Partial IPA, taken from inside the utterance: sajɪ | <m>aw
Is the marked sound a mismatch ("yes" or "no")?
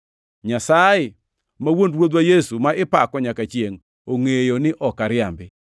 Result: no